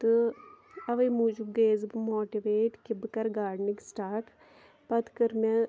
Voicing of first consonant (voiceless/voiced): voiceless